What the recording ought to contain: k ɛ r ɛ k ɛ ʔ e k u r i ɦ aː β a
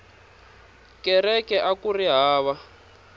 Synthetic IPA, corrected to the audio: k ɛ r ɛ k ɛ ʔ a k u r i ɦ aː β a